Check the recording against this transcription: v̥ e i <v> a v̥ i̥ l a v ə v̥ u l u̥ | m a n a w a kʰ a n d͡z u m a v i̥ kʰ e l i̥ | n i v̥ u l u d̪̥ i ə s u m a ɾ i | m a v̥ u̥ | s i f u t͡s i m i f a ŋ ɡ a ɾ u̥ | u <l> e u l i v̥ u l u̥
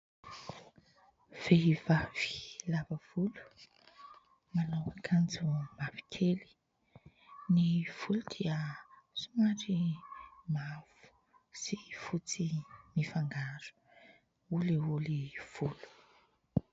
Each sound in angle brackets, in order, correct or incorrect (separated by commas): correct, correct